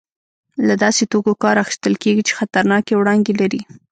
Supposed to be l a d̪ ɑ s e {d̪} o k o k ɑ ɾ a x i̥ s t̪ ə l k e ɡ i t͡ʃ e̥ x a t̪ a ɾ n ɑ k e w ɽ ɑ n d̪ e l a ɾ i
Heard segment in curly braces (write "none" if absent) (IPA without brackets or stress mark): t̪